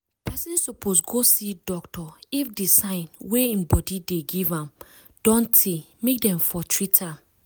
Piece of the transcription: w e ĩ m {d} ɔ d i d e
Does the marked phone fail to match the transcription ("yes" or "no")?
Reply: yes